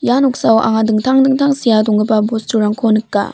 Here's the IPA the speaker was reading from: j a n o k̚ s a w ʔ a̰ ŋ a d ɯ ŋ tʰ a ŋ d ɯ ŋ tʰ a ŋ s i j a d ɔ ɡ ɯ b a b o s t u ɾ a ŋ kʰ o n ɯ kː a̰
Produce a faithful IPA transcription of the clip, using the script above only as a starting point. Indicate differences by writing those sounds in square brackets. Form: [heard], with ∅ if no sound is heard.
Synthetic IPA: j a n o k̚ s a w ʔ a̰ ŋ a d ɯ ŋ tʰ a ŋ d ɯ ŋ tʰ a ŋ s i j a d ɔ [ŋ] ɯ b a b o s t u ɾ a ŋ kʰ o n ɯ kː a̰